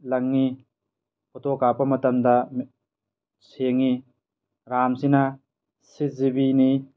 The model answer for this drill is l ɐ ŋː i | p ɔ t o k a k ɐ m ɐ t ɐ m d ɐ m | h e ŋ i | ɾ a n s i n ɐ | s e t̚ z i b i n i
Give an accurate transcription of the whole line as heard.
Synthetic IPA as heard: l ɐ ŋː i | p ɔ t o k a p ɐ m ɐ t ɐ m d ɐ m | s e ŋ i | ɾ a m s i n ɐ | s i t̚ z i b i n i